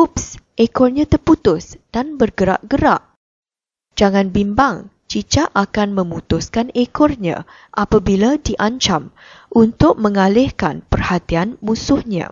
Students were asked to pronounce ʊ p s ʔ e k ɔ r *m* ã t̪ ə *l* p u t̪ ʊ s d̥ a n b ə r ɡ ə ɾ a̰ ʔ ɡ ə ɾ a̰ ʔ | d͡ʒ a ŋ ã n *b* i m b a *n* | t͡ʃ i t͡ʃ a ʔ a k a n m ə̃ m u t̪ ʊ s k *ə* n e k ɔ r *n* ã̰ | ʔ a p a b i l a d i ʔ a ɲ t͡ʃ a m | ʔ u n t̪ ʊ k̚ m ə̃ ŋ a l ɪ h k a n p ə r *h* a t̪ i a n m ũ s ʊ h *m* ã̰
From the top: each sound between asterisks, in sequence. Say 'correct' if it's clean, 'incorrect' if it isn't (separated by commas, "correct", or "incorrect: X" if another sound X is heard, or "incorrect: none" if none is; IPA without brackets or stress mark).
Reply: incorrect: ɲ, incorrect: r, correct, incorrect: ŋ, incorrect: a, incorrect: ɲ, correct, incorrect: ɲ